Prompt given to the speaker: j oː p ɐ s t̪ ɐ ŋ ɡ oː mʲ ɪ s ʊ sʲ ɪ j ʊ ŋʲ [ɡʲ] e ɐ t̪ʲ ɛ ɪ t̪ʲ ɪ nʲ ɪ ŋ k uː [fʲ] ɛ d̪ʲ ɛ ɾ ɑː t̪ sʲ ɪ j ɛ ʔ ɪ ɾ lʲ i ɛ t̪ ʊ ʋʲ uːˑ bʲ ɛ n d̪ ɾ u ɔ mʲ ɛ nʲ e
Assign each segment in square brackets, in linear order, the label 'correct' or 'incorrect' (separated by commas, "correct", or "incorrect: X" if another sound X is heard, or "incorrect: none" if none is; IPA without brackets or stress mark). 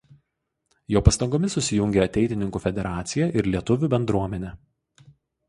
correct, correct